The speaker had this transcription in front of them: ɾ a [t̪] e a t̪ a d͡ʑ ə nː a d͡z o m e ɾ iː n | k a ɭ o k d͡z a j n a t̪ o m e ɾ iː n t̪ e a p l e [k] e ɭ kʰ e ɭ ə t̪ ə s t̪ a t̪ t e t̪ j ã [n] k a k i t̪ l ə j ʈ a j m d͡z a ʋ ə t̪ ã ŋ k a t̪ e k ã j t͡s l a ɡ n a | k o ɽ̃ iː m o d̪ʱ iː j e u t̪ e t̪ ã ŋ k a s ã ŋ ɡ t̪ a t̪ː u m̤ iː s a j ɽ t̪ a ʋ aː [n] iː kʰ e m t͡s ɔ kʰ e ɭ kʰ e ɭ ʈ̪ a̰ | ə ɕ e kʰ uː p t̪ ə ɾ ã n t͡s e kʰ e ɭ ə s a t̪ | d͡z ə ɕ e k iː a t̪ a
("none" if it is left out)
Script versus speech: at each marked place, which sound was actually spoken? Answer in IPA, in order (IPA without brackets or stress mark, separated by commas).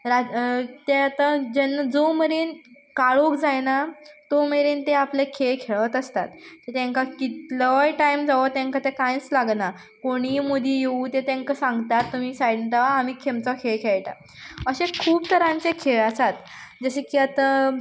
t̪, kʰ, ŋ, m